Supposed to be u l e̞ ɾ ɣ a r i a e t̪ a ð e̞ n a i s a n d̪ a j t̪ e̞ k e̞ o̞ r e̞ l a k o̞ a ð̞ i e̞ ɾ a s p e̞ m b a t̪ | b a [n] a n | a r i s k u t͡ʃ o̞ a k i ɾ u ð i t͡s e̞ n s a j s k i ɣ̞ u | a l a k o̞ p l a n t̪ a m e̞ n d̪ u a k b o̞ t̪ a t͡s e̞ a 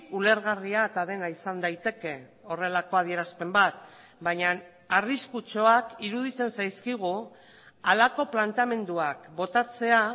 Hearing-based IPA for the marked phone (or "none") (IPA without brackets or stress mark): ɲ